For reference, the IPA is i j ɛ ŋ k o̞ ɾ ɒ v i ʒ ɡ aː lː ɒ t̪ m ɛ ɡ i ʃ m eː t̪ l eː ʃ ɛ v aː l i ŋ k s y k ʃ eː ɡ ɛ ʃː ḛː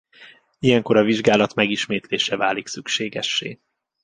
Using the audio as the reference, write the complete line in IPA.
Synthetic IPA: i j ɛ ŋ k o̞ ɾ ɒ v i ʒ ɡ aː l ɒ t̪ m ɛ ɡ i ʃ m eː t̪ l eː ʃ ɛ v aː l i k s y k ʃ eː ɡ ɛ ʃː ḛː